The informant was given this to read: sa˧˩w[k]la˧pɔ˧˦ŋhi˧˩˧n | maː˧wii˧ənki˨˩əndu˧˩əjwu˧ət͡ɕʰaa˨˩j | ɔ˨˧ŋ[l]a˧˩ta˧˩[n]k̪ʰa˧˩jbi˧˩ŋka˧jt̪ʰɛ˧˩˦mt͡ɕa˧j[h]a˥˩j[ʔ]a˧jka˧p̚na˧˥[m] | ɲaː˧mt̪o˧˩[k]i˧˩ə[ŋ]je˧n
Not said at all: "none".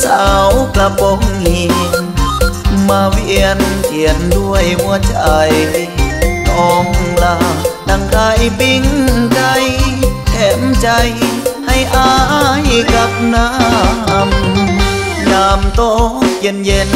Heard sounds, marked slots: k, l, ŋ, h, ʔ, m, k, n

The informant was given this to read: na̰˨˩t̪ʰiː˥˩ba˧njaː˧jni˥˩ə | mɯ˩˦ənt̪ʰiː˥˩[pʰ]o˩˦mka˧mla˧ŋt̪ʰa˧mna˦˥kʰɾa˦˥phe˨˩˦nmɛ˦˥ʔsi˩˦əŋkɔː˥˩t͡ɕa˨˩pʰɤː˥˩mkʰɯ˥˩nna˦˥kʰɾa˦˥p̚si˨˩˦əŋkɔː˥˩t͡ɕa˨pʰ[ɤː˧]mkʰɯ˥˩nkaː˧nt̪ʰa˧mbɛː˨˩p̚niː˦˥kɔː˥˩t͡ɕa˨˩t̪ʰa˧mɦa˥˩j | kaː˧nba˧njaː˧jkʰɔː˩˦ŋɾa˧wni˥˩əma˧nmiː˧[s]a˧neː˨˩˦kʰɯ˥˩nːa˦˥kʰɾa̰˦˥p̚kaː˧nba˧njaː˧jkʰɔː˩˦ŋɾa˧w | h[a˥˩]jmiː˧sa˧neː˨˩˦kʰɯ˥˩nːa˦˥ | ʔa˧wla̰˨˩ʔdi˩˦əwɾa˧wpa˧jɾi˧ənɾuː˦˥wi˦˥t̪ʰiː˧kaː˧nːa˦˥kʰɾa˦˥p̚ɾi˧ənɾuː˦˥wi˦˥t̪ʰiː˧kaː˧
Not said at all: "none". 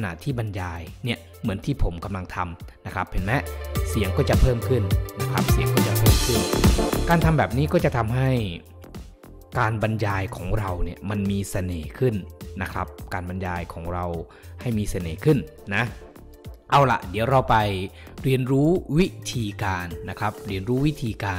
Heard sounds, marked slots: pʰ, ɤː˥˩, s, a˥˩

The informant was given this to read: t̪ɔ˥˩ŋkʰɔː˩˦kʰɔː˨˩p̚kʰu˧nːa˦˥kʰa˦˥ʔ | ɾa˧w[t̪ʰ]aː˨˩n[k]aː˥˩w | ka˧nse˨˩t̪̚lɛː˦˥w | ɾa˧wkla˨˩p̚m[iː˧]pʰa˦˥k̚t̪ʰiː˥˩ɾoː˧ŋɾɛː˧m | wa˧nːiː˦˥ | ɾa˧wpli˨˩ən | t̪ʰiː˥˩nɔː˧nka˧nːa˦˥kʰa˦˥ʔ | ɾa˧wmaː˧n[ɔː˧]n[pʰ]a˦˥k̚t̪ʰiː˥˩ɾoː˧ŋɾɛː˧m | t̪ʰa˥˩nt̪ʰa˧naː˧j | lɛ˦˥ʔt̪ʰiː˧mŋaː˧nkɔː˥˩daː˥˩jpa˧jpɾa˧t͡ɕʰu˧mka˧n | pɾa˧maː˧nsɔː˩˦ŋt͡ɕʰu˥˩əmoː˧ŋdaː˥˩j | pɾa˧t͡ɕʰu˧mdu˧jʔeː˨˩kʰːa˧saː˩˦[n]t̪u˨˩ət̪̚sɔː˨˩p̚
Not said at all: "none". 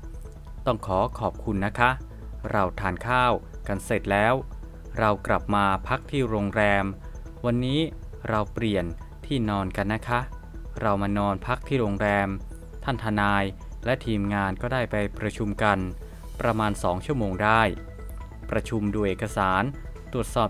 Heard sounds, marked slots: t̪ʰ, kʰ, aː˧, ɔː˧, pʰ, n

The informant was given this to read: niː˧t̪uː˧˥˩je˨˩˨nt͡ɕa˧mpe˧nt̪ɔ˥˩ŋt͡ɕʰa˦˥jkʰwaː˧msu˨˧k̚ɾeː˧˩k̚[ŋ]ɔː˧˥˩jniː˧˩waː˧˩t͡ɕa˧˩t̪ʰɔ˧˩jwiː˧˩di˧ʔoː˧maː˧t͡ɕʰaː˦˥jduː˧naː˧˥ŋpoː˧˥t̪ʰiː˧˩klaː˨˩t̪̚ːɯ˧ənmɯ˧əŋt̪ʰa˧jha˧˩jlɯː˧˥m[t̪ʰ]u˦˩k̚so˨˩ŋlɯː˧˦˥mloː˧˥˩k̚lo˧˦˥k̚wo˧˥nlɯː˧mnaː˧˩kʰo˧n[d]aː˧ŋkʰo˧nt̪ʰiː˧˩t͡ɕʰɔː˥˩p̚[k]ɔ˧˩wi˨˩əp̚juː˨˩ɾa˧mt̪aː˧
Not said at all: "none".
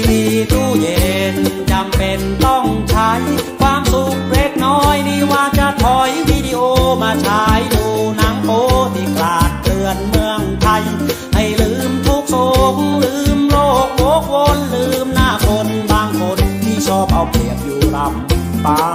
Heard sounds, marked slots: n, t̪ʰ, b, ʔ

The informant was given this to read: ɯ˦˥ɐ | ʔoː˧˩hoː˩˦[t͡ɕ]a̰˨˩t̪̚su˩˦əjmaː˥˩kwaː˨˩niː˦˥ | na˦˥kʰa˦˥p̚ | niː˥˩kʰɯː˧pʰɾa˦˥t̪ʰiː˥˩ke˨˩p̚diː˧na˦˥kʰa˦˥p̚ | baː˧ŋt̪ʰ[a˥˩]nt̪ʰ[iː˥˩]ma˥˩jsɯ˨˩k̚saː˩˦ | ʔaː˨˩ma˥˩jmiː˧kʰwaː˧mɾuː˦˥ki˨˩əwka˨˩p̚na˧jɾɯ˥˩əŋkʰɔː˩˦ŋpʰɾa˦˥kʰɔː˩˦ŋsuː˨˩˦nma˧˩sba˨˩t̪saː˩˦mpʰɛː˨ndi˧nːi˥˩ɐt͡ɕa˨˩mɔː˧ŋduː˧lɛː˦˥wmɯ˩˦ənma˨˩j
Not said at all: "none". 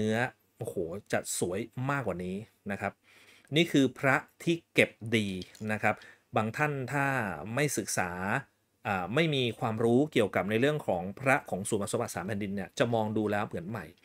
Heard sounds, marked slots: t͡ɕ, a˥˩, aː˥˩

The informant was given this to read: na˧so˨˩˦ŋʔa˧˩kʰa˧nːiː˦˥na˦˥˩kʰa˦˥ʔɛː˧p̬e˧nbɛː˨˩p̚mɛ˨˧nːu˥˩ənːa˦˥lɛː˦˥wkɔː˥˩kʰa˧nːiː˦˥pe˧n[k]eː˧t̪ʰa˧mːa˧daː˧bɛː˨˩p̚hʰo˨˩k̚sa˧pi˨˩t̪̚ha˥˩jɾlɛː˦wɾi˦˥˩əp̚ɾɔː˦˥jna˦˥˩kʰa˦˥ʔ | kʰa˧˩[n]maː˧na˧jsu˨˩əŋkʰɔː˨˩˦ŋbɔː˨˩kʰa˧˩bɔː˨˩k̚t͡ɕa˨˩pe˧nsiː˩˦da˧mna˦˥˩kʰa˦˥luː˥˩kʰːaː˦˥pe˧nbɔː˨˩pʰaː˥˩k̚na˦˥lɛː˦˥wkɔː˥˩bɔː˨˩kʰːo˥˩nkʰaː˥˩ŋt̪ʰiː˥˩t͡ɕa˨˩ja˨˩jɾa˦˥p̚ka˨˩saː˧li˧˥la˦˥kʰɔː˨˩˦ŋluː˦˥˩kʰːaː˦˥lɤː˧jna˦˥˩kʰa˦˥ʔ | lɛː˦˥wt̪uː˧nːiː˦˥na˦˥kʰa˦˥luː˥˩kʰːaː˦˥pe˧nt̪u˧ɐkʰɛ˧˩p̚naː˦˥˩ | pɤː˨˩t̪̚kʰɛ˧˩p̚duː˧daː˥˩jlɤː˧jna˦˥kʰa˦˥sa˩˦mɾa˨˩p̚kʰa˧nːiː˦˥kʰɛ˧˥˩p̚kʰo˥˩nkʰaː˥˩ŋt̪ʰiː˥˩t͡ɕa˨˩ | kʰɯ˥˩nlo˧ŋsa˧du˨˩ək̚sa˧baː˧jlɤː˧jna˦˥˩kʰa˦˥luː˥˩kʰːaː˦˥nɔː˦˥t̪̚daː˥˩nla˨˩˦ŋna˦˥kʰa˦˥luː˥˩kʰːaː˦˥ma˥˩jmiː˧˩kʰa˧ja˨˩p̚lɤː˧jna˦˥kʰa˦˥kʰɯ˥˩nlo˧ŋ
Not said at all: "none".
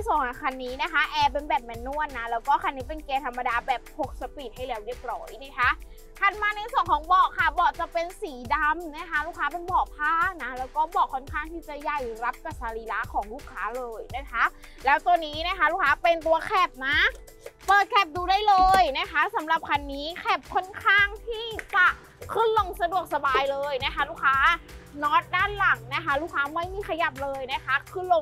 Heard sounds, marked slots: k, n

